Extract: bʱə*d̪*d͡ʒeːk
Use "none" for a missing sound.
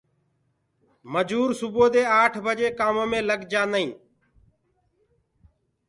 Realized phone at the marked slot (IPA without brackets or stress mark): none